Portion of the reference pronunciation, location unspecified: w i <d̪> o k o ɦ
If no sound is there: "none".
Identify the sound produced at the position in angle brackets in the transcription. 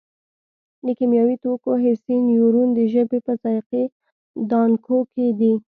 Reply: t̪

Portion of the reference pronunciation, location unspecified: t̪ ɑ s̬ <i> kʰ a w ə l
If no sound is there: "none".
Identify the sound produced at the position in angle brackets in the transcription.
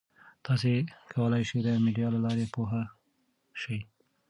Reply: e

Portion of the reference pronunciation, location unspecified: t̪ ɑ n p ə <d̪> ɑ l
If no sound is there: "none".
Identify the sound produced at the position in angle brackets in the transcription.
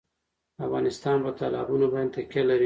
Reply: t̪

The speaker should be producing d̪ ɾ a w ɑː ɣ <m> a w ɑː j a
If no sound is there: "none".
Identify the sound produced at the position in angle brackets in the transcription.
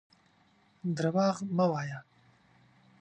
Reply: m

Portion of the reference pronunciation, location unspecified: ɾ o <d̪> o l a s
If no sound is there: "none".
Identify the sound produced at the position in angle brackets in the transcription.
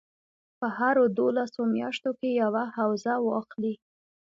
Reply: d̪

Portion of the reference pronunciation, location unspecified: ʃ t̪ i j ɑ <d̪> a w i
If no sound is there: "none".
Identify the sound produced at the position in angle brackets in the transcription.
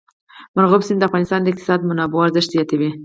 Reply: t̪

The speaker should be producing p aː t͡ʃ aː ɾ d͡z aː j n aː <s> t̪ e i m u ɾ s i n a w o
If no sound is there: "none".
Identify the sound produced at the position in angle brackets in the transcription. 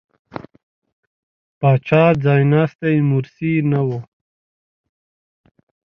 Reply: s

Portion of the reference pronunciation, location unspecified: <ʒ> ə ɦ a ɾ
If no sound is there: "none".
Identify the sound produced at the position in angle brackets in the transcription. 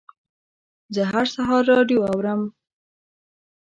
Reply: z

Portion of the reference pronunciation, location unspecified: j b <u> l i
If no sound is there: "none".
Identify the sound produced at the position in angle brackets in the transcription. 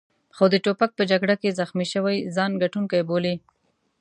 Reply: o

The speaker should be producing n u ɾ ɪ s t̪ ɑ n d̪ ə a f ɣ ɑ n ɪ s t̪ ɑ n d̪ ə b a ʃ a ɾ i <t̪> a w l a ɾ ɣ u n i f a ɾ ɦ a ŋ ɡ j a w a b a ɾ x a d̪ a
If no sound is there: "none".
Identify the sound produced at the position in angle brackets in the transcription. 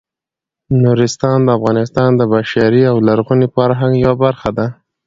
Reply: none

